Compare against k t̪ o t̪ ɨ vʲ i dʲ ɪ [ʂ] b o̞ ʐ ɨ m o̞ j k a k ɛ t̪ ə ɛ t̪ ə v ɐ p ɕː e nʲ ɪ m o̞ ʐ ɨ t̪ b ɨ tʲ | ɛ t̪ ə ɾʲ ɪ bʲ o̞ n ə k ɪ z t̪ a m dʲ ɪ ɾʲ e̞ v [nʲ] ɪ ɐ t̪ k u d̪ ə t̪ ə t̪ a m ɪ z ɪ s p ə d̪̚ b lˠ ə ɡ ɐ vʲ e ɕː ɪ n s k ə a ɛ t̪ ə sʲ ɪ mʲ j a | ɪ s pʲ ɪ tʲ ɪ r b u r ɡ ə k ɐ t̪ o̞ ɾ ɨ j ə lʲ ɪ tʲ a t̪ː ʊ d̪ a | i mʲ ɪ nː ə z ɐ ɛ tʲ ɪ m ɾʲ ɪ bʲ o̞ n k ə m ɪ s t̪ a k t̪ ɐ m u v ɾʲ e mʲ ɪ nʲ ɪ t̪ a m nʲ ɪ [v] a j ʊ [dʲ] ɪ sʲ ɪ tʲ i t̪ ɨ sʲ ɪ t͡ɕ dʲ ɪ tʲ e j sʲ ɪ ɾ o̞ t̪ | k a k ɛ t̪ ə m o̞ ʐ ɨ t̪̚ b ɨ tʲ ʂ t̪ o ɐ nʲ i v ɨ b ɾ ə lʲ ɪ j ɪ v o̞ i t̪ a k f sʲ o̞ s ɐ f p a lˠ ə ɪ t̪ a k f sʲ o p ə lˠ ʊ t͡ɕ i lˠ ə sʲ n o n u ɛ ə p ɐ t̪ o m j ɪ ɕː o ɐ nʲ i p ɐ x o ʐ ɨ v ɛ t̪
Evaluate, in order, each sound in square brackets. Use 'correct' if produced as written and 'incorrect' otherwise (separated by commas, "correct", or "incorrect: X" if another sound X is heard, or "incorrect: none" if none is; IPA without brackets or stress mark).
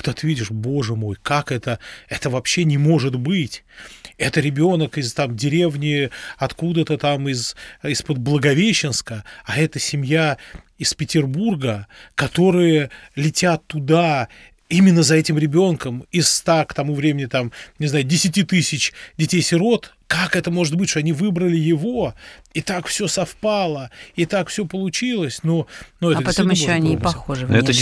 correct, correct, incorrect: z, correct